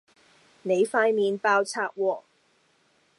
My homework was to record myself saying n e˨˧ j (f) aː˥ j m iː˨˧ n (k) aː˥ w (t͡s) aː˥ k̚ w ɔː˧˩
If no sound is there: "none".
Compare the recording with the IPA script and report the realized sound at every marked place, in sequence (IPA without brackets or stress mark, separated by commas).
f, p, t͡sʰ